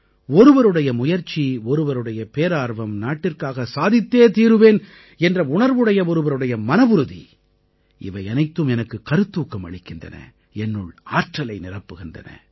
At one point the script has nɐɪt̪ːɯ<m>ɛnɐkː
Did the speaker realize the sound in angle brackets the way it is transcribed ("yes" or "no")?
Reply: yes